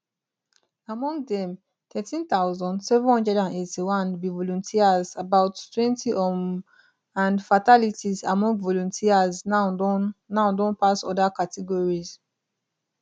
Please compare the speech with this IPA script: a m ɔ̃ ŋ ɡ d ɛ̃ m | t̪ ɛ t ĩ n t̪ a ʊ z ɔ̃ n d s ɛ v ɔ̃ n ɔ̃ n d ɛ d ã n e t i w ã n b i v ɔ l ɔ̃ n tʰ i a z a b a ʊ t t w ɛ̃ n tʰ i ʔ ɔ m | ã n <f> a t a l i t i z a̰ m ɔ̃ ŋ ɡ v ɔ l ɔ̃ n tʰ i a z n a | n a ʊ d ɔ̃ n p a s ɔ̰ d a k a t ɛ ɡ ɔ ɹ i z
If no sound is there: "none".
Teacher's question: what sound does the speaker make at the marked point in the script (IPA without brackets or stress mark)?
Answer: f